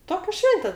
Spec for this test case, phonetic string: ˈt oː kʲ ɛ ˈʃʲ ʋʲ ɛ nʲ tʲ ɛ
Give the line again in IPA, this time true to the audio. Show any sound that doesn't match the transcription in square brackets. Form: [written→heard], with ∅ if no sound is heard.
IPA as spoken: ˈt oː kʲ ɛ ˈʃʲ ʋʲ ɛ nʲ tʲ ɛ